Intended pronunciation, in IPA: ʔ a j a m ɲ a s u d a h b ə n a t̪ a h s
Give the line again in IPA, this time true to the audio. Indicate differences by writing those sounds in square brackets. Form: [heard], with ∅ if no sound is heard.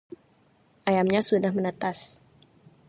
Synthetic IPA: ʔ a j a m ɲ a s u d a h [m] ə n [ə] t̪ a [∅] s